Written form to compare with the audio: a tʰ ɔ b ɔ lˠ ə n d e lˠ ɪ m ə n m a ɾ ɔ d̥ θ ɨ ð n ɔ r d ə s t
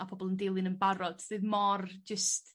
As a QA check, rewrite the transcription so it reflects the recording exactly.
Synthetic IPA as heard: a pʰ ɔ b ɔ lˠ ə n d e lˠ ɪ n ə n b a ɾ ɔ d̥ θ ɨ ð m ɔ r d͡ʒ ə s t